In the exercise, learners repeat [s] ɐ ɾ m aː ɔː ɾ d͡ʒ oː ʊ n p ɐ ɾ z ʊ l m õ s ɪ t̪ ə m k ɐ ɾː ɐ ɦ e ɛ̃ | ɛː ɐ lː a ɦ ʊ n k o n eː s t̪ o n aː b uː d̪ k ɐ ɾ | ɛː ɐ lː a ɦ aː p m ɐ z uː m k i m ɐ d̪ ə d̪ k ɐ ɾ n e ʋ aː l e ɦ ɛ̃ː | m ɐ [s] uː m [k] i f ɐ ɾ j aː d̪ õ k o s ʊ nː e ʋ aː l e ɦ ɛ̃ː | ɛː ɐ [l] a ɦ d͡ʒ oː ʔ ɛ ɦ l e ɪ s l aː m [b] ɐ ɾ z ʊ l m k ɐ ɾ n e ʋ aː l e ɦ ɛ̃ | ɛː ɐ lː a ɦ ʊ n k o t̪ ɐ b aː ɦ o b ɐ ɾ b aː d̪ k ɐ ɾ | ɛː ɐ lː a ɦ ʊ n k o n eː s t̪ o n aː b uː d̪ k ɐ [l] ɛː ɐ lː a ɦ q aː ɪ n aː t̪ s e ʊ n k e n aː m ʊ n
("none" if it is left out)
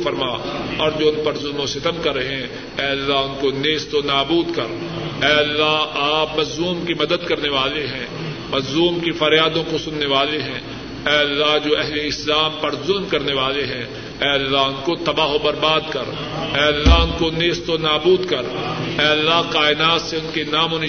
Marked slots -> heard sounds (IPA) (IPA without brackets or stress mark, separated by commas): f, z, k, lː, p, ɾ